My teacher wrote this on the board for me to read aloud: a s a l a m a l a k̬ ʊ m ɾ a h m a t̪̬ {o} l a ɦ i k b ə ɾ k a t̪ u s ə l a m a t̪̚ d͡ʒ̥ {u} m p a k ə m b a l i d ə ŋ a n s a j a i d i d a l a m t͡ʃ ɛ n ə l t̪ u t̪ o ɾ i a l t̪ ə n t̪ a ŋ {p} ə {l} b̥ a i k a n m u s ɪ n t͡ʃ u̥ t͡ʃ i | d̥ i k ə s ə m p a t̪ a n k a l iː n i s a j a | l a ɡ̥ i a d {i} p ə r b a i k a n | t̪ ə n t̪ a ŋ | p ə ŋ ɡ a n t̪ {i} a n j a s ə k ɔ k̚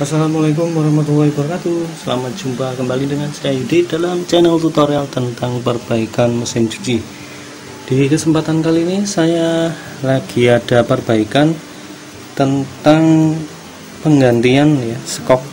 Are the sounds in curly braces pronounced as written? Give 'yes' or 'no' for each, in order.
no, yes, yes, no, no, yes

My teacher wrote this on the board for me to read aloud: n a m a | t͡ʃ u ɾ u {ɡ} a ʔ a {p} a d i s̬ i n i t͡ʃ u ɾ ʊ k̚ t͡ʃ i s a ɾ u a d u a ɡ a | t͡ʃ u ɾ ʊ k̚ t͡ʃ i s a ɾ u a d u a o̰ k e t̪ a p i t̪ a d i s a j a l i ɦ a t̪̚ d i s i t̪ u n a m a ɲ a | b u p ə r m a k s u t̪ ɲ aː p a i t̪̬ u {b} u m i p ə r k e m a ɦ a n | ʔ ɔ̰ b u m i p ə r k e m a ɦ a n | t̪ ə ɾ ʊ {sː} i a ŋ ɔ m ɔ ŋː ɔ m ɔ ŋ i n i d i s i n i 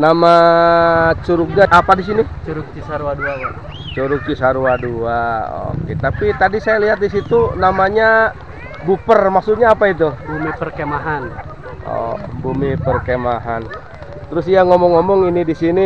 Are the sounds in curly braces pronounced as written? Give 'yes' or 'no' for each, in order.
yes, yes, yes, no

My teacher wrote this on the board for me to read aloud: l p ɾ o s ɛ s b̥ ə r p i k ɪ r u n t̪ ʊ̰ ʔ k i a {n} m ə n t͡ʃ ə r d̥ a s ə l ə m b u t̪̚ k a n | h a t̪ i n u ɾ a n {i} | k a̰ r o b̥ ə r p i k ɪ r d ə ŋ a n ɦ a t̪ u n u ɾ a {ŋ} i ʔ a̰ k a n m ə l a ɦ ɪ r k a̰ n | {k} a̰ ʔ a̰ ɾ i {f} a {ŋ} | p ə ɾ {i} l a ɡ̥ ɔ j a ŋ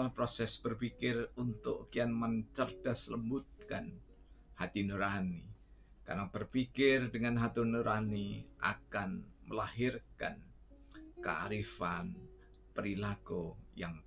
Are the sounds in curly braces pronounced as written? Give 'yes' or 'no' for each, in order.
yes, yes, no, yes, yes, no, yes

